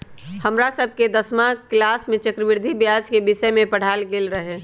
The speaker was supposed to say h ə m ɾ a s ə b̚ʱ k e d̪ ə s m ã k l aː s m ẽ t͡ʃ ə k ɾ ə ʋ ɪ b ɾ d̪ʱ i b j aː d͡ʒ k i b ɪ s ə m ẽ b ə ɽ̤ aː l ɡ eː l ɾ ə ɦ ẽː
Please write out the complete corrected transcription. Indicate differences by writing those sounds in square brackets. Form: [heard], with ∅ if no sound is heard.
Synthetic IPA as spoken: h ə m ɾ a s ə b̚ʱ k e d̪ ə s m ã k l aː s m ẽ t͡ʃ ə k ɾ ə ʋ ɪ [∅] ɾ d̪ʱ i b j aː d͡ʒ k [e] b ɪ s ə m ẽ [p] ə ɽ̤ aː l ɡ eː l ɾ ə ɦ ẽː